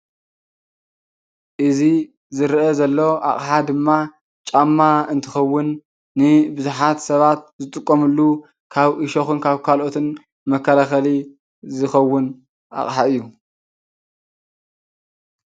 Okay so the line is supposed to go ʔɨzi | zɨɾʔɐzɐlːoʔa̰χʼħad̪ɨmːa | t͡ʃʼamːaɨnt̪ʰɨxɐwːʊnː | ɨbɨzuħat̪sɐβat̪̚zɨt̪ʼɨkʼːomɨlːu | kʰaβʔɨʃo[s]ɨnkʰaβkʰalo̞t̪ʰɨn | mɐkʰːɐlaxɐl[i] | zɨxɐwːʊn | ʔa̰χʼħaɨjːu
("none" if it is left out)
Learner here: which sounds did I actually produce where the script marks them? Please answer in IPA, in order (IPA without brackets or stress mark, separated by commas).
x, i